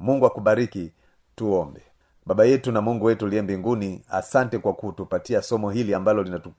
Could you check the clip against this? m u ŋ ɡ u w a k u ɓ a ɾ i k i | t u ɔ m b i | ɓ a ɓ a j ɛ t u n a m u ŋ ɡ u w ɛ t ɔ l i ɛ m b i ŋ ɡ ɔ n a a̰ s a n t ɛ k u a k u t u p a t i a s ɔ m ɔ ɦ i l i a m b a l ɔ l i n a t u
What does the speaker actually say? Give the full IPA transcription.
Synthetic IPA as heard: m u ŋ ɡ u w a k u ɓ a ɾ i k i | t u ɔ m b ɛ | ɓ a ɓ a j ɛ t u n a m u ŋ ɡ u w ɛ t u l i ɛ m b i ŋ ɡ u n i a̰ s a n t ɛ k w a k u t u p a t i a s ɔ m ɔ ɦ i l i a m b a l ɔ l i n a t u